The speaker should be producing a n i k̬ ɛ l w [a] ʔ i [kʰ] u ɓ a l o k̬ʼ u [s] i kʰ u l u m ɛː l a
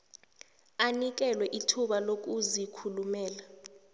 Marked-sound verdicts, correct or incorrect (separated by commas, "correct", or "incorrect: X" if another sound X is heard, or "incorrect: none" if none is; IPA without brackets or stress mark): incorrect: ɛ, incorrect: tʰ, incorrect: z